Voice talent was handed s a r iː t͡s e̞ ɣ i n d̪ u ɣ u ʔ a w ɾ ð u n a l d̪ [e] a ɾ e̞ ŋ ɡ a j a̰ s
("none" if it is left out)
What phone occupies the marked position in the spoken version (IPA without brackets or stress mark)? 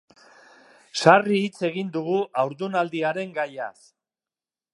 i